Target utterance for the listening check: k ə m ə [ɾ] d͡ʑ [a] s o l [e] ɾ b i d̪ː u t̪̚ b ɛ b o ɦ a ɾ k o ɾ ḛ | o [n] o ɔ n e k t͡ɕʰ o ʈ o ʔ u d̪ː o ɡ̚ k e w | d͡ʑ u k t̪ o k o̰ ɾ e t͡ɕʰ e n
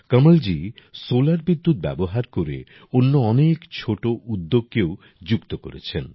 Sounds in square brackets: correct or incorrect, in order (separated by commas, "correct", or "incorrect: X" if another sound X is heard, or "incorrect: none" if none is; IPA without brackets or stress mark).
incorrect: l, incorrect: i, incorrect: a, incorrect: nː